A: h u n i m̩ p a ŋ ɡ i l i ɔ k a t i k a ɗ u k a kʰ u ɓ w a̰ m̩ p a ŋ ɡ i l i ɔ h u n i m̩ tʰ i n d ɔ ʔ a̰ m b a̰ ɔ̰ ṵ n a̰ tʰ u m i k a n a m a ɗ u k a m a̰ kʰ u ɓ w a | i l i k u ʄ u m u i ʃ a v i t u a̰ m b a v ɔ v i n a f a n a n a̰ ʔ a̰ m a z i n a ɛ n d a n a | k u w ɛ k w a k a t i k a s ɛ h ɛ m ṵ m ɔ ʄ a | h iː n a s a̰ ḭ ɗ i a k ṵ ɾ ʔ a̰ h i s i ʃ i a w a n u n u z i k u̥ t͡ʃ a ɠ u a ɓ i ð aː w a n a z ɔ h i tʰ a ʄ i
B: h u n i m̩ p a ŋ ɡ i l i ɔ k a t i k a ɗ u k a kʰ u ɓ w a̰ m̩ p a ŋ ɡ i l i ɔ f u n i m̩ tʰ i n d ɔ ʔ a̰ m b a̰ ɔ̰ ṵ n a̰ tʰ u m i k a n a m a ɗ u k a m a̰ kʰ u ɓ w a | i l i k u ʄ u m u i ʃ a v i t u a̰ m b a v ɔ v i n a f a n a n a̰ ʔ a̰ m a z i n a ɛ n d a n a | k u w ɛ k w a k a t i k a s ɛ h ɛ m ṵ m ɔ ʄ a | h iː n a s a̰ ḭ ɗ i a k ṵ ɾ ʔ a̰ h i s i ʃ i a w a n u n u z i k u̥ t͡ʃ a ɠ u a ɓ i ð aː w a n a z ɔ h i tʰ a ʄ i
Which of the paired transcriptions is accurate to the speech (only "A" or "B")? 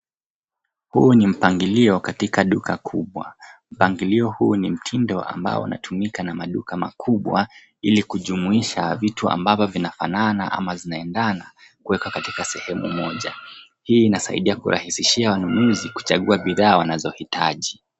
A